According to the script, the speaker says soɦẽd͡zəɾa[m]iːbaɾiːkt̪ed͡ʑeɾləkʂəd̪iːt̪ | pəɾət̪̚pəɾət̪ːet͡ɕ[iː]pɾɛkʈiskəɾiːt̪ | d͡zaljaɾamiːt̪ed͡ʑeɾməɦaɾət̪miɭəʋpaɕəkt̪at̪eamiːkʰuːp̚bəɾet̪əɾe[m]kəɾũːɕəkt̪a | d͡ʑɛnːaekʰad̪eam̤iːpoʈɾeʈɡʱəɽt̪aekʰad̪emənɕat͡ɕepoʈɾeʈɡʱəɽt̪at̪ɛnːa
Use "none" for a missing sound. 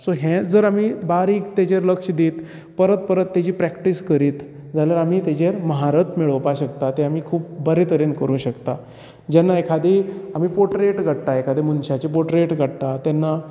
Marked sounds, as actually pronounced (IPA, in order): m, iː, n

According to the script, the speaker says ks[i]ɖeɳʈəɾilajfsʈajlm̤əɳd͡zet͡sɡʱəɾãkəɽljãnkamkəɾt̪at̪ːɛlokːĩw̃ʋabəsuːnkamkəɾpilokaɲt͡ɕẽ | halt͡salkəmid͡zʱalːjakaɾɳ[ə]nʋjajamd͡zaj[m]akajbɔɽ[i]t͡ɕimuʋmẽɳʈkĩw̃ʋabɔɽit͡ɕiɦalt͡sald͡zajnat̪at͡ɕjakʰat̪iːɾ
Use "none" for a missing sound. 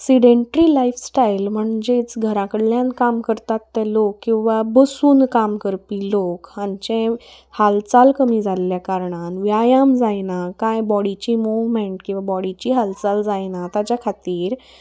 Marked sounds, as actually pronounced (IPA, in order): i, a, n, i

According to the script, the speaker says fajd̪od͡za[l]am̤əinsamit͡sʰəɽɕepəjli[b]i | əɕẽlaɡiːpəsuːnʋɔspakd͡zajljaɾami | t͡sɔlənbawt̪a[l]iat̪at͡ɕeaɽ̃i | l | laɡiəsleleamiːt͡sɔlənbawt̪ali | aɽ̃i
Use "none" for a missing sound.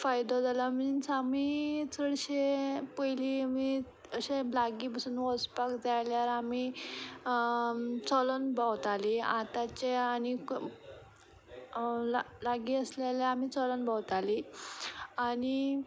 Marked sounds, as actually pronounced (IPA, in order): l, m, l

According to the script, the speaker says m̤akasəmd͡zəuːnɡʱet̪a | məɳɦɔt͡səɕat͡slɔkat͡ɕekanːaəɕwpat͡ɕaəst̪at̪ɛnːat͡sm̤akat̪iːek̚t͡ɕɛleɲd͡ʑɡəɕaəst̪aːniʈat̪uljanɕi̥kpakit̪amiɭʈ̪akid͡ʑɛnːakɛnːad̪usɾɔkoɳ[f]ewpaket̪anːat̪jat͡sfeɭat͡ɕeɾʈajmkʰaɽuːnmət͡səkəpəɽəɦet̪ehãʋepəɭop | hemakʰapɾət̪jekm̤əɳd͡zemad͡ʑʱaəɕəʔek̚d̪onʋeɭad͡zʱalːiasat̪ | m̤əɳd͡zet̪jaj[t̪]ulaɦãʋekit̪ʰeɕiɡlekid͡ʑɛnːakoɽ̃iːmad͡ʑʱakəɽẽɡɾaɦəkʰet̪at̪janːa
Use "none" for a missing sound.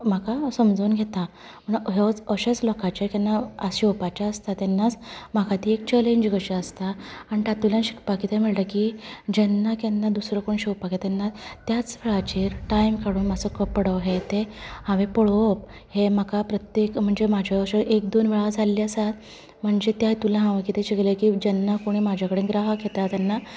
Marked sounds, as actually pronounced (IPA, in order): ɕ, t̪

